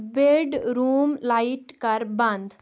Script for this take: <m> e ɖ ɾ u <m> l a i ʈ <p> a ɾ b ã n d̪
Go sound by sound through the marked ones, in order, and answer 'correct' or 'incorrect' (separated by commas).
incorrect, correct, incorrect